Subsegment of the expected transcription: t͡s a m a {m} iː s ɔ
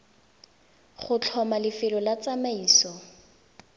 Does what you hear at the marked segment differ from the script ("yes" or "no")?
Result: yes